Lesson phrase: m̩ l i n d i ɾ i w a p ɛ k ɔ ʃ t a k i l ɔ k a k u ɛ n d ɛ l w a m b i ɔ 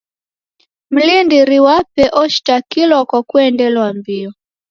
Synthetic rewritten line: m̩ l i n d i ɾ i w a p ɛ ʔ ɔ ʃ t a k i l ɔ k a k u ɛ n d ɛ l w a m b i ɔ